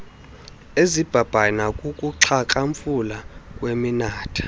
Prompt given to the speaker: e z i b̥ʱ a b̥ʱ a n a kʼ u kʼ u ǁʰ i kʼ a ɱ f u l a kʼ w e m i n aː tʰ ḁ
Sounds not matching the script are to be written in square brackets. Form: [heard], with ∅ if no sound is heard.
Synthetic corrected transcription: e z i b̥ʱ a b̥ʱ a n a kʼ u kʼ u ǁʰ [a] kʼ a ɱ f u l a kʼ w e m i n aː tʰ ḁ